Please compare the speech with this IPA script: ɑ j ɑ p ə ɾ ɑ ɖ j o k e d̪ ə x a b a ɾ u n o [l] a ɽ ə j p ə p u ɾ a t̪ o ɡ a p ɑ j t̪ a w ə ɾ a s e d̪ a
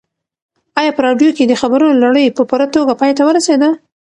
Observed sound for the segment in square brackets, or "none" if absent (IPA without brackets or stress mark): l